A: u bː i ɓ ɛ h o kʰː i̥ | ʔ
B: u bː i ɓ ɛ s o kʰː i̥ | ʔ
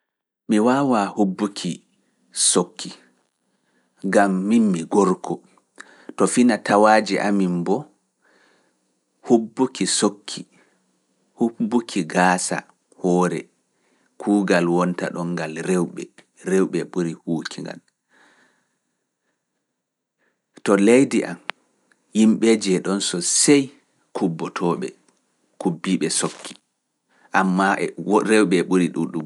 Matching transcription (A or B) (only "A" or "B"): B